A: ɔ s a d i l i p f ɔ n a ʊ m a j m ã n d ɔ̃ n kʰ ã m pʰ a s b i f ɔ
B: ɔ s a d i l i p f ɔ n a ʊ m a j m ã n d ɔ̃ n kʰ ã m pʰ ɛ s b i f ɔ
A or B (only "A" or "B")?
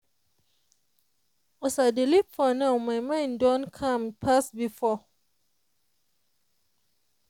A